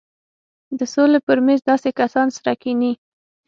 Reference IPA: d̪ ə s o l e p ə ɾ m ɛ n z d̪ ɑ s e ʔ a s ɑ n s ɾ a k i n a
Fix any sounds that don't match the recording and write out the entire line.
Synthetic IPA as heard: d̪ ə s o l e p ə ɾ m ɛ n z d̪ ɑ s e k a s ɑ n s ɾ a k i n i